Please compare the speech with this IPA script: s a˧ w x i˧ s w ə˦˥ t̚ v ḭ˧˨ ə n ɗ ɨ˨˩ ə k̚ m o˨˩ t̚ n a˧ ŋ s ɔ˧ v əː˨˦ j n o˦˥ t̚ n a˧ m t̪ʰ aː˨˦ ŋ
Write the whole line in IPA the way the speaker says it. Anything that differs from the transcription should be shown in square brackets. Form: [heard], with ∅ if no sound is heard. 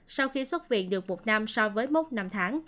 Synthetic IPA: s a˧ w x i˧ s w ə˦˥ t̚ v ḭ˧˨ ə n ɗ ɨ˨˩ ə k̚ m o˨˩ t̚ n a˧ [m] s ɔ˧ v əː˨˦ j [m] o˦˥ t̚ n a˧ m t̪ʰ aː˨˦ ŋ